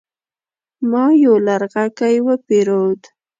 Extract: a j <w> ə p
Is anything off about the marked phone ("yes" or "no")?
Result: no